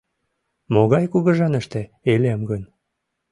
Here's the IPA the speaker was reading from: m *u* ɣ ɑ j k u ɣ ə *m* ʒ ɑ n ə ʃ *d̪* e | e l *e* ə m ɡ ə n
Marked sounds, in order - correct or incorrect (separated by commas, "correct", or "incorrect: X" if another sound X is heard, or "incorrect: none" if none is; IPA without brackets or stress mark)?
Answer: incorrect: o, incorrect: none, incorrect: t̪, correct